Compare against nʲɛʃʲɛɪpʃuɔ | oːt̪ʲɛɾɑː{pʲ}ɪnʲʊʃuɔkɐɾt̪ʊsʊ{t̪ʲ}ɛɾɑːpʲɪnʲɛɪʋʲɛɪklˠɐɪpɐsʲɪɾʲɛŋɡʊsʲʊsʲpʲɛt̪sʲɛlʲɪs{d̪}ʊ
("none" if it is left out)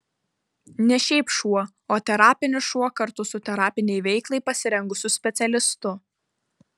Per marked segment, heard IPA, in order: pʲ, t̪ʲ, t̪

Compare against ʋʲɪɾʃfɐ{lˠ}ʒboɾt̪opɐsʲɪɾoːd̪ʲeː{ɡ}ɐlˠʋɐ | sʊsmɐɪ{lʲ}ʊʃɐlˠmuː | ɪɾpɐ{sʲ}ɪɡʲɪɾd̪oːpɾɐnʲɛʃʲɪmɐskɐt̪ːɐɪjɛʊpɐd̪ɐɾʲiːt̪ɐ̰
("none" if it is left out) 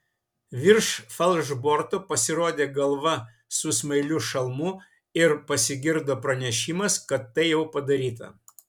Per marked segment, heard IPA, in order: lˠ, ɡ, lʲ, sʲ

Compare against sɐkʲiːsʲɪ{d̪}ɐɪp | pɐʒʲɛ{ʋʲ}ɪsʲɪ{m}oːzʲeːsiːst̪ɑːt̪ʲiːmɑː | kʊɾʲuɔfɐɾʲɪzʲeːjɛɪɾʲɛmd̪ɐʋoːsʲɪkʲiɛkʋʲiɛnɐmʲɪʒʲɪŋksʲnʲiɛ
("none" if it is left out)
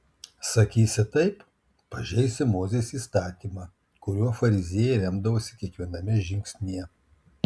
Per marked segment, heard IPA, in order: t̪, none, m

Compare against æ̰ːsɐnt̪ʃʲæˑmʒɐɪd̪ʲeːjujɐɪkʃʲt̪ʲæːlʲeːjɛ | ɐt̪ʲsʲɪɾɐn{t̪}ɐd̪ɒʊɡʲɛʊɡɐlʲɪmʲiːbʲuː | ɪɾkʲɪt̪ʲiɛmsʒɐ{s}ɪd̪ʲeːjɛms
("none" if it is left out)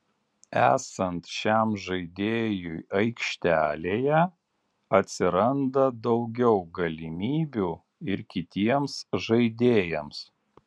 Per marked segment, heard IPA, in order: d̪, none

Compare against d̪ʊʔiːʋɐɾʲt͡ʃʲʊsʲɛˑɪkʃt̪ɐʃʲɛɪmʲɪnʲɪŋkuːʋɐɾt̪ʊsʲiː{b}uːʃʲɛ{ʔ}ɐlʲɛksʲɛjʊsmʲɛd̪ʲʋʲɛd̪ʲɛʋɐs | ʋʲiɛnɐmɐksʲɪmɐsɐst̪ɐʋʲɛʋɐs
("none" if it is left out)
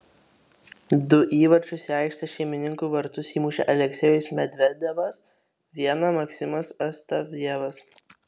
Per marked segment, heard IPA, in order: m, ʔ

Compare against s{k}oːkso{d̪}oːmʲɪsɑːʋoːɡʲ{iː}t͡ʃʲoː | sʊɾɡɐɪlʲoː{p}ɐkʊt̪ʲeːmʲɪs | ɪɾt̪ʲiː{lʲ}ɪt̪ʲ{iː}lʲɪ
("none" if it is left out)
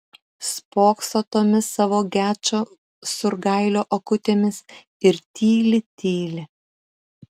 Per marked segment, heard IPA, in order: p, t̪, æː, ʔ, lʲ, iː

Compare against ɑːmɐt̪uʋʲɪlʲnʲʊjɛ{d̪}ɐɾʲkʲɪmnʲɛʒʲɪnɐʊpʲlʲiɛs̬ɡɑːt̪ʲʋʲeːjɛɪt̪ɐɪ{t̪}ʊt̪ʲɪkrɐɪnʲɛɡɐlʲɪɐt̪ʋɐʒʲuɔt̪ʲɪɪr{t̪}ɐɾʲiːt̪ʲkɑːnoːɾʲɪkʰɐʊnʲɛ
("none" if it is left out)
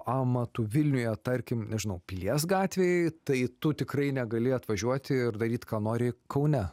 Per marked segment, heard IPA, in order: t̪, t̪, d̪

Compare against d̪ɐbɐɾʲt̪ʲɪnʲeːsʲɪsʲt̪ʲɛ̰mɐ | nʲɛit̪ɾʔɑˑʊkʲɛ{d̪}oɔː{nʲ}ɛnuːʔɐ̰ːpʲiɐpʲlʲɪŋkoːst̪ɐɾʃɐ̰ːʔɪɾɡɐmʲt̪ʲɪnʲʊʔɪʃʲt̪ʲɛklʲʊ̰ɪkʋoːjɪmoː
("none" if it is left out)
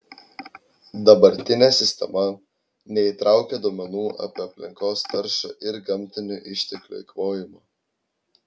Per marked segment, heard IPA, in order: d̪, mʲ

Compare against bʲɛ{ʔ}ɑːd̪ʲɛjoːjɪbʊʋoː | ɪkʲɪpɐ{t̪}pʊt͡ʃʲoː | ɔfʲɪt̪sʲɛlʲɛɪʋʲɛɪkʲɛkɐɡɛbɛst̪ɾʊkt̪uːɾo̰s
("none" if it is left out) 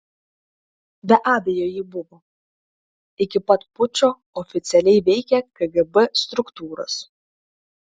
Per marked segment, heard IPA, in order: ʔ, t̪

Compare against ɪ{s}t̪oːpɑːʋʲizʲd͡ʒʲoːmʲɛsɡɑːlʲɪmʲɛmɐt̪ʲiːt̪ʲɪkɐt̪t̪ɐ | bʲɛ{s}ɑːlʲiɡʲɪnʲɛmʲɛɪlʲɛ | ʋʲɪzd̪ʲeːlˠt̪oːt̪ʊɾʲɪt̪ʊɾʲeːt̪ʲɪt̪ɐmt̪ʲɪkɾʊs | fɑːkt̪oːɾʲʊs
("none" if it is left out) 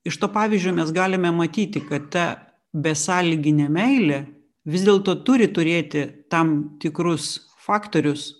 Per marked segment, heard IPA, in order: ʃ, s

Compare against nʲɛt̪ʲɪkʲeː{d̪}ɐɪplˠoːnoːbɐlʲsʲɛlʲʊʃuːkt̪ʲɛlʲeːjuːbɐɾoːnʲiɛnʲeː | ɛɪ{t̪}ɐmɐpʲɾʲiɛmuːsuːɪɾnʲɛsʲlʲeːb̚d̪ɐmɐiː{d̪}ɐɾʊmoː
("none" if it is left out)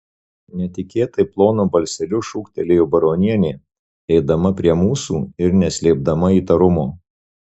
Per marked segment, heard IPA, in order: t̪, d̪, t̪

